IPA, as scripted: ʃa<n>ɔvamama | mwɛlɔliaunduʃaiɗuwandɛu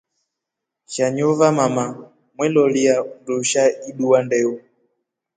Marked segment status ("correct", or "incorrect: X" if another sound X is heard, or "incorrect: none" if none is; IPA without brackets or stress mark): incorrect: ɲ